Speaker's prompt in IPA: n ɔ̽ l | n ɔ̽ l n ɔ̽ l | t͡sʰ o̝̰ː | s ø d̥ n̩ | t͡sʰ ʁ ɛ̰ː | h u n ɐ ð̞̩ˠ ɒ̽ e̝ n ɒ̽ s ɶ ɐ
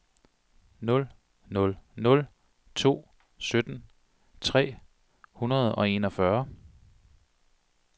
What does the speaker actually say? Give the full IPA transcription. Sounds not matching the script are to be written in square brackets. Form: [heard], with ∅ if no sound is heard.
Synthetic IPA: n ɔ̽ l | n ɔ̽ l n ɔ̽ l | t͡sʰ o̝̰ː | s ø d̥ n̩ | t͡sʰ ʁ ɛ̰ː | h u n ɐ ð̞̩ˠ ɒ̽ e̝ n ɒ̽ [f] ɶ ɐ